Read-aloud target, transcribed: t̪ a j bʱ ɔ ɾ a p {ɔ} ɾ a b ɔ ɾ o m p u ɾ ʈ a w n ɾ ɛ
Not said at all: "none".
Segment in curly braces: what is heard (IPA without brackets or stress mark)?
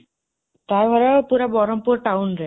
u